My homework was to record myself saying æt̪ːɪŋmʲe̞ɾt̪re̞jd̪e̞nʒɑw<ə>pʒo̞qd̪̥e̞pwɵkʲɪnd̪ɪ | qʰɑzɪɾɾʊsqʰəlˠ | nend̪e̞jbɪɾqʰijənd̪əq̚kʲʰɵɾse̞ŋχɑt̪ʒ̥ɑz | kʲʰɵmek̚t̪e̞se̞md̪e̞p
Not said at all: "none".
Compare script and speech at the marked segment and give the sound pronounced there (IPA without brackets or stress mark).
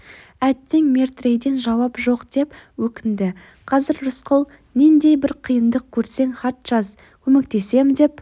ɑ